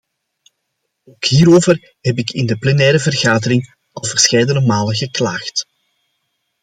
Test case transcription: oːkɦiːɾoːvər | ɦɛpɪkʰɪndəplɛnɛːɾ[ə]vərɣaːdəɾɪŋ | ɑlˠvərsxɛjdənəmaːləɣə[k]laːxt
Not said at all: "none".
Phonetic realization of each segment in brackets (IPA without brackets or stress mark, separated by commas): ə, k